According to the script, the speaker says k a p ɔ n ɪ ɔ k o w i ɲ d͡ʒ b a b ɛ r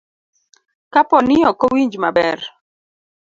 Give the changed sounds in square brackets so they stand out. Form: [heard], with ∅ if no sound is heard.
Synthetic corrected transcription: k a p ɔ n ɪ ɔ k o w i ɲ d͡ʒ [m] a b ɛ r